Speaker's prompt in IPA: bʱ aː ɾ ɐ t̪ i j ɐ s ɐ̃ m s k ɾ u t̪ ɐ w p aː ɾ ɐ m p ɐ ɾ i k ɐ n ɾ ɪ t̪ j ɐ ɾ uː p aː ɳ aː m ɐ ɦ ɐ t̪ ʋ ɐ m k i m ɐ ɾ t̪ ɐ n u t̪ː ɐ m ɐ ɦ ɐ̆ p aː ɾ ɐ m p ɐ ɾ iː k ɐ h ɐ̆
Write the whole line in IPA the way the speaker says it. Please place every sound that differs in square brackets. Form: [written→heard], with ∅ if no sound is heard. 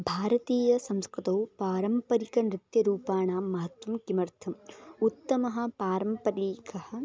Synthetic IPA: bʱ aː ɾ ɐ t̪ [i→iː] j ɐ s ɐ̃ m s k ɾ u t̪ ɐ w p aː ɾ ɐ m p ɐ ɾ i k ɐ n ɾ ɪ t̪ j ɐ ɾ uː p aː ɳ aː m ɐ ɦ ɐ t̪ ʋ ɐ m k i m ɐ ɾ [t̪→t̪ʰ] ɐ [n→m] u t̪ː ɐ m ɐ ɦ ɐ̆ p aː ɾ ɐ m p ɐ ɾ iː k ɐ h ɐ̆